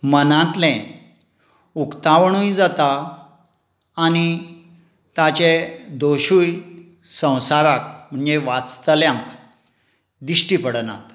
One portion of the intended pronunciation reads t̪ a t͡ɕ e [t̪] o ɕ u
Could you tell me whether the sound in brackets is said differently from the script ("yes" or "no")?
yes